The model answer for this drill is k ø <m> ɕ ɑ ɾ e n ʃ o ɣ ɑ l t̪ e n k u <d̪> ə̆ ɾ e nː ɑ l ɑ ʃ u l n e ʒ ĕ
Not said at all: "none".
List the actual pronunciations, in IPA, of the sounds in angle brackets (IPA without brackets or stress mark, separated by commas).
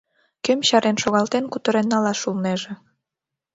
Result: m, t̪